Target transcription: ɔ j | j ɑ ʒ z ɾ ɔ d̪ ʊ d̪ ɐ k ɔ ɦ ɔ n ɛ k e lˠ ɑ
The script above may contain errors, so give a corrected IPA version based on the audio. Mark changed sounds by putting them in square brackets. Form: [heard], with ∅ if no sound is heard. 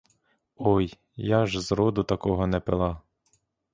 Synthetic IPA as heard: ɔ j | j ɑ ʒ z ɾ ɔ d̪ ʊ [t̪] ɐ k ɔ ɦ ɔ n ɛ [p] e lˠ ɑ